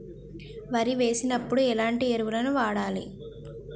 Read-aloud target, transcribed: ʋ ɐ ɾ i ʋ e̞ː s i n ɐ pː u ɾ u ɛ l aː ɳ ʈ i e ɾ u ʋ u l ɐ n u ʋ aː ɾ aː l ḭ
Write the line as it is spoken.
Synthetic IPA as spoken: ʋ ɐ ɾ i ʋ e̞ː s i n ɐ pː u ɽ u ɛ l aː ɳ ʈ i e ɾ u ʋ u l ɐ n u ʋ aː ɽ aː l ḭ